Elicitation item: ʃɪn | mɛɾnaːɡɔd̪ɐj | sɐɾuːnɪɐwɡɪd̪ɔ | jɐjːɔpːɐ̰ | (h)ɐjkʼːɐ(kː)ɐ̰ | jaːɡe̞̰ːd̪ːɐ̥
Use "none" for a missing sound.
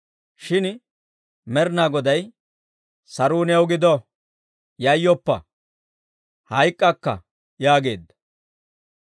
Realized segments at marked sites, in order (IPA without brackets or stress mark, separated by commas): h, kː